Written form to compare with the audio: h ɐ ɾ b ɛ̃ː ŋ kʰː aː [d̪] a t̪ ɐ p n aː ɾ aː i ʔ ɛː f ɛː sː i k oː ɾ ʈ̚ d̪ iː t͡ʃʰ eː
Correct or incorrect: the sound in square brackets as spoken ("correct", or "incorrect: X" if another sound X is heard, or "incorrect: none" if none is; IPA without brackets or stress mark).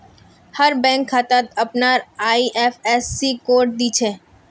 incorrect: t̪